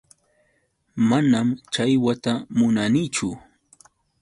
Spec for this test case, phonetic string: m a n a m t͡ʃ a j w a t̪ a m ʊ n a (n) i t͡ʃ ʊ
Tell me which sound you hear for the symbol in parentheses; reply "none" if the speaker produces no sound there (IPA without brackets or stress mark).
n